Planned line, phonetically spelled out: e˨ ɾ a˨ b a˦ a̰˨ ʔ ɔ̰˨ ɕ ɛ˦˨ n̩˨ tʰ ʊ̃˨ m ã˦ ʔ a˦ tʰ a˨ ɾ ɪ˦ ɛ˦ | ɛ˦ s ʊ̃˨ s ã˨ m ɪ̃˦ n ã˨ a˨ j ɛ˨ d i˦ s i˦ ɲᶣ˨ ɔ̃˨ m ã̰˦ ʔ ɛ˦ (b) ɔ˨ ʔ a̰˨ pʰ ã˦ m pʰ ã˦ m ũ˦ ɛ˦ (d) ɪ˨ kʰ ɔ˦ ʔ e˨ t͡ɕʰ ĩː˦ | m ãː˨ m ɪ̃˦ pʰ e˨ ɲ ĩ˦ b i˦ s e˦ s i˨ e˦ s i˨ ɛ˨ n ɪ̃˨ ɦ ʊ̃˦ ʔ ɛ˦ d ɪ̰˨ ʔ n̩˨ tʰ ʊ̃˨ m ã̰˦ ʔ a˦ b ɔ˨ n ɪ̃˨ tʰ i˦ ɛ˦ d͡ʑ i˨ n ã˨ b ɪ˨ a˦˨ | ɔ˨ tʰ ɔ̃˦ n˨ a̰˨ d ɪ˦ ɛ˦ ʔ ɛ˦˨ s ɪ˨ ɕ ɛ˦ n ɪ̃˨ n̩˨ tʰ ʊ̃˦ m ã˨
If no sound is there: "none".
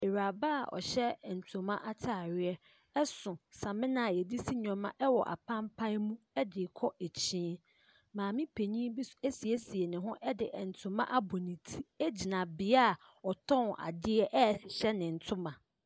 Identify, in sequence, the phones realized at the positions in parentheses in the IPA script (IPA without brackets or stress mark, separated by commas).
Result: w, d